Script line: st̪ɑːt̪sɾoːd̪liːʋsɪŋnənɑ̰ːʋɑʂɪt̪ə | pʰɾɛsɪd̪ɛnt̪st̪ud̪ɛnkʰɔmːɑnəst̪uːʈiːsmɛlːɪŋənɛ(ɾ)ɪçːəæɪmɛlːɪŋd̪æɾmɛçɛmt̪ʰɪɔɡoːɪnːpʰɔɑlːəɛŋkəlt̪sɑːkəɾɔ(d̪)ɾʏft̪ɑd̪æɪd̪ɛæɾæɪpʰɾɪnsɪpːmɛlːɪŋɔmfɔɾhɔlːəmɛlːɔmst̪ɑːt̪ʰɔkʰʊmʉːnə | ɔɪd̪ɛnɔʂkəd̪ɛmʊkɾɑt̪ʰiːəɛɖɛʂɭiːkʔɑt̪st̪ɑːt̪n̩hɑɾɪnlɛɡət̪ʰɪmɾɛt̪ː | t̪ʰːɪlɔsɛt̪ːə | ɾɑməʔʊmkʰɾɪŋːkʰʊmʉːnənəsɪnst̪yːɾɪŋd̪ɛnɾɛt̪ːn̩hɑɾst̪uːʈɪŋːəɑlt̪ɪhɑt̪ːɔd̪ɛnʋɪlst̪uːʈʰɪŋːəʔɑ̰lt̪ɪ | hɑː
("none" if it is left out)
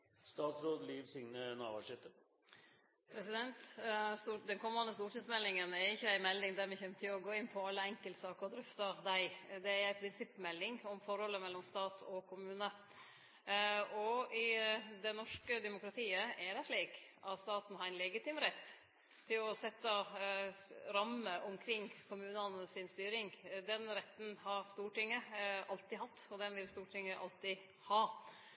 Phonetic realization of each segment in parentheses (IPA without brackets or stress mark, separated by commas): ɾ, d̪